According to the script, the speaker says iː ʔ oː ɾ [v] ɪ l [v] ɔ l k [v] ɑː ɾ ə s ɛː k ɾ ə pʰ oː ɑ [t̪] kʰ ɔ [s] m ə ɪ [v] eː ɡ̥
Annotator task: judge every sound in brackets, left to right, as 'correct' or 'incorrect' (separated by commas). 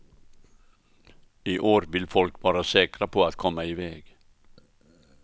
incorrect, incorrect, incorrect, correct, incorrect, incorrect